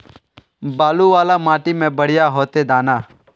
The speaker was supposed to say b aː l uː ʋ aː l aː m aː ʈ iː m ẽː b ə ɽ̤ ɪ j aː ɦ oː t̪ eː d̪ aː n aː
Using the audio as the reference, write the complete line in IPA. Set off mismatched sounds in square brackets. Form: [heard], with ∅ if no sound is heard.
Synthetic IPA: b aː l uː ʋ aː l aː m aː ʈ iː m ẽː b ə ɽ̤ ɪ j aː ɦ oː t̪ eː d̪ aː n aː